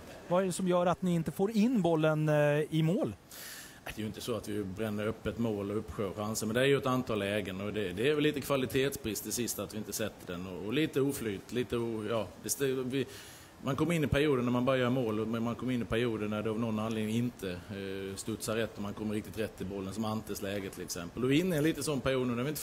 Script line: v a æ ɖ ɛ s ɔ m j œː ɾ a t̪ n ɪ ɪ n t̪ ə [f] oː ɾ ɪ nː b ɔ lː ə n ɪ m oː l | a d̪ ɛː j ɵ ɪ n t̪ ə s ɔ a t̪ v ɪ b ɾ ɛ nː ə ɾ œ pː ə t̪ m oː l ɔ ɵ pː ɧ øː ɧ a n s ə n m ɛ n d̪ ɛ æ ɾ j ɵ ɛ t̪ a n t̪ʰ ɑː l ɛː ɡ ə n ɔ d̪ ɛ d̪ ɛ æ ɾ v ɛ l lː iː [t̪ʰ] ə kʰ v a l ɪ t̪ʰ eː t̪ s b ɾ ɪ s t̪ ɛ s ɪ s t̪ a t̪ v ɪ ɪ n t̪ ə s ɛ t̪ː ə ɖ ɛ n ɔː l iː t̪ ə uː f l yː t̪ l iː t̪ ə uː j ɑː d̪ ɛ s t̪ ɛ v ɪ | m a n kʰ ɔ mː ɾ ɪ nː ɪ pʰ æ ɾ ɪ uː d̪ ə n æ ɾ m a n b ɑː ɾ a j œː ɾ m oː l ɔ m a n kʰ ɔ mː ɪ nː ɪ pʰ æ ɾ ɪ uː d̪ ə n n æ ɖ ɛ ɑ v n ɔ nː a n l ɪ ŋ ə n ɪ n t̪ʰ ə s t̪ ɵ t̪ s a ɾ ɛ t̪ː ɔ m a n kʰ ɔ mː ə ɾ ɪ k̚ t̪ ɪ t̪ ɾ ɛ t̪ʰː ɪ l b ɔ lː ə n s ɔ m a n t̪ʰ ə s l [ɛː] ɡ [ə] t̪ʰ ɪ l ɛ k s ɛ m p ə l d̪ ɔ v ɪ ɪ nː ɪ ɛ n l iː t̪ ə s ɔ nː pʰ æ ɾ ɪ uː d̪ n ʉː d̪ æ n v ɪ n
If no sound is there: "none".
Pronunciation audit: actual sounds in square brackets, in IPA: f, t̪, ɛː, ə

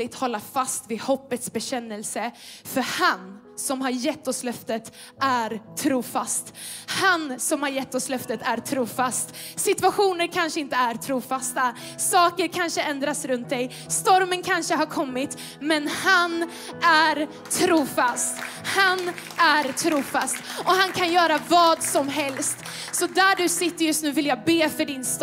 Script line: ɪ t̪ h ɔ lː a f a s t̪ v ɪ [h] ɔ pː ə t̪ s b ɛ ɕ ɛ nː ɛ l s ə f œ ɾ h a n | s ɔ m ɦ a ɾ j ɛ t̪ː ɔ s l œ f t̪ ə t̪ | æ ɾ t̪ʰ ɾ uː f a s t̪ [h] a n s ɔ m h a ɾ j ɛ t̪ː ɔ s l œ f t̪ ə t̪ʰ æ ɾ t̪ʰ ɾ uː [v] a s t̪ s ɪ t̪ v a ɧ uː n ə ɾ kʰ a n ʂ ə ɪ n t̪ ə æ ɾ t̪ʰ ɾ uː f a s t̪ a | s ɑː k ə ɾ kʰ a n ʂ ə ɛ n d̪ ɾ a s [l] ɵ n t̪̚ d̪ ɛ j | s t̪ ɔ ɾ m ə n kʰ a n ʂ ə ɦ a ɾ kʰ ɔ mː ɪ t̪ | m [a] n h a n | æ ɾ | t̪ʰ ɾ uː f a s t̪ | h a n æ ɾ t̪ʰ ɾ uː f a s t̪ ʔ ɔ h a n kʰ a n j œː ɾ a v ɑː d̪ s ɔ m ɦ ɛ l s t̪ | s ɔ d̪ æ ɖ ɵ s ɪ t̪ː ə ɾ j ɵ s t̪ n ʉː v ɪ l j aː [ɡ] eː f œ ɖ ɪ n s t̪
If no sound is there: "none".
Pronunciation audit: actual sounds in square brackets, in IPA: h, h, f, ɾ, ɛ, b

